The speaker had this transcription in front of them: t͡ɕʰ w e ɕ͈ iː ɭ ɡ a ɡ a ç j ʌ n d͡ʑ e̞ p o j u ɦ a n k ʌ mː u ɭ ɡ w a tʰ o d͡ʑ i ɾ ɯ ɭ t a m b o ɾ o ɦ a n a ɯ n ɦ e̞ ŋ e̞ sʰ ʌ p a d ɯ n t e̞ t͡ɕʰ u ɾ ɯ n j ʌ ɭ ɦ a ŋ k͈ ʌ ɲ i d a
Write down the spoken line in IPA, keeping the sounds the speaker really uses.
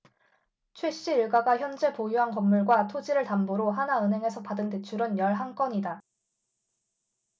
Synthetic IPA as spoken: t͡ɕʰ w e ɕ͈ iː ɭ ɡ a ɡ a ç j ʌ n d͡ʑ e̞ p o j u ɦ a n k ʌ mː u ɭ ɡ w a tʰ o d͡ʑ i ɾ ɯ ɭ t a m b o ɾ o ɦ a n a ɯ n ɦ e̞ ŋ e̞ sʰ ʌ p a d ɯ n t e̞ t͡ɕʰ u ɾ ɯ n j ʌ ɭ ɦ a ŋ k͈ ʌ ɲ i d a